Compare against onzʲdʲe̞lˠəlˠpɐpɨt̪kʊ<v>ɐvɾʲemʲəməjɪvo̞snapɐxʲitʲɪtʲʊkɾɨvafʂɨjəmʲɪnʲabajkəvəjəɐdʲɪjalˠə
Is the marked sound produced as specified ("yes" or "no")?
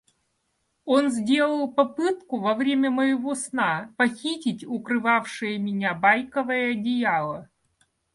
yes